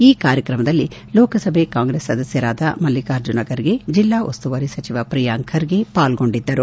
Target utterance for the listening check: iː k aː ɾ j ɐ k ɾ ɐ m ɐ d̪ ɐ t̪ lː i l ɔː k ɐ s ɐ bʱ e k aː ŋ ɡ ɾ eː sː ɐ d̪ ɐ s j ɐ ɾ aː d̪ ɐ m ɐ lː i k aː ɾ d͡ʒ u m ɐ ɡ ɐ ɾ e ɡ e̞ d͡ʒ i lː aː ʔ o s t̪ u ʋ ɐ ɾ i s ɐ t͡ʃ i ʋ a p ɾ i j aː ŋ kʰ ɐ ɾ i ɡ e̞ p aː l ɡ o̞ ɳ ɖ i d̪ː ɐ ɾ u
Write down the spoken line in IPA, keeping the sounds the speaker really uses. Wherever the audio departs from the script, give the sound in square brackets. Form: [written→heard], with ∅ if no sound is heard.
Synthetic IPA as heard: iː k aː ɾ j ɐ k ɾ ɐ m ɐ d̪ ɐ [t̪→∅] lː i l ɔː k ɐ s ɐ bʱ e k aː ŋ ɡ ɾ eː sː ɐ d̪ ɐ s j ɐ ɾ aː d̪ ɐ m ɐ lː i k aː ɾ d͡ʒ u [m→n] ɐ ɡ ɐ ɾ [e→i] ɡ e̞ d͡ʒ i lː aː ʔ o s t̪ u ʋ ɐ ɾ i s ɐ t͡ʃ i ʋ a p ɾ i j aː ŋ kʰ ɐ ɾ i ɡ e̞ p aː l ɡ o̞ ɳ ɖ i d̪ː ɐ ɾ u